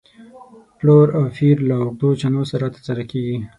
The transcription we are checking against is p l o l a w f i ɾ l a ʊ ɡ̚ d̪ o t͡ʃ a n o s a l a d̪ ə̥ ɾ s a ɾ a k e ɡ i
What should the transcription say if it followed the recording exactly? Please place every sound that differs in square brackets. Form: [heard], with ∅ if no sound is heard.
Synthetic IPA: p l o [ɾ] a w f i ɾ l a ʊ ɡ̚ d̪ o t͡ʃ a n o s a [ɾ] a [t̪] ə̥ ɾ s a ɾ a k e ɡ i